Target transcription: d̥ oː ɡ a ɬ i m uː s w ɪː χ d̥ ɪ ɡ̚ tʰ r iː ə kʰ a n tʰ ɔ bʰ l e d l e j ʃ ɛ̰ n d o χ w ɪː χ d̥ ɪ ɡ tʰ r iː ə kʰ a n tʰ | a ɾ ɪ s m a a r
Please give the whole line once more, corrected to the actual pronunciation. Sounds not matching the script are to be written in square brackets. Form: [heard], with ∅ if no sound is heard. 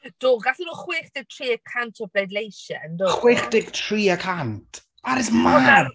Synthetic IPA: d̥ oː ɡ a ɬ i [n] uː [χ] w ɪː χ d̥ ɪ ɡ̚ tʰ r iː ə kʰ a n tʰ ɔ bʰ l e d l e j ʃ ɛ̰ n d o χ w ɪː χ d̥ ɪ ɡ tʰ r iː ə kʰ a n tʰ | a ɾ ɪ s m a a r